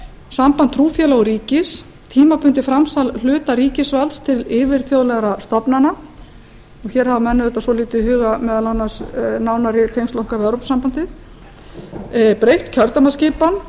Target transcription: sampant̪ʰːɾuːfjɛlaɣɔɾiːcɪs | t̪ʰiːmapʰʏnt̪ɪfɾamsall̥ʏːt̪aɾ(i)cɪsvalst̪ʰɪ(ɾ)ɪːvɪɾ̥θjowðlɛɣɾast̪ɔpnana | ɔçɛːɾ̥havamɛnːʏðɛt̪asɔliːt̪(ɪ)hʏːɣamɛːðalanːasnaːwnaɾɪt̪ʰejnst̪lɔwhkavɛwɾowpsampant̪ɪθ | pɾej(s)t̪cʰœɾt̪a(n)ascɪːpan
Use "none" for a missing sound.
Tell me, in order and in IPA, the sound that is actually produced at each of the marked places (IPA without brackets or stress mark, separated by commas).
iː, l, ɪ, h, m